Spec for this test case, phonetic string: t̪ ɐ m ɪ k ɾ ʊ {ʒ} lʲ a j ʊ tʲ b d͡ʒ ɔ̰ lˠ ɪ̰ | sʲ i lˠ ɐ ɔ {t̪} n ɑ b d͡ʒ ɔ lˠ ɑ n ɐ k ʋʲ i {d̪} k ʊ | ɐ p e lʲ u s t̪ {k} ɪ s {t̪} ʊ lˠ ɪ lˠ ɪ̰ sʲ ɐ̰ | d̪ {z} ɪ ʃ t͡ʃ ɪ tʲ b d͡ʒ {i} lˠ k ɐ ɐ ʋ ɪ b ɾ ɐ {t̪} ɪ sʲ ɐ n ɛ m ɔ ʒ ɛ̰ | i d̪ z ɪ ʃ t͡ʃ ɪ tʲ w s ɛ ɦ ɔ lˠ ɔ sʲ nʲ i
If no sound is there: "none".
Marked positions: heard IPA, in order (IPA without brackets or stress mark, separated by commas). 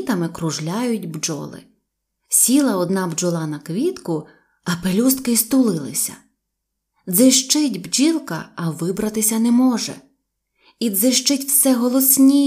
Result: ʒ, d̪, t̪, k, t̪, z, i, t̪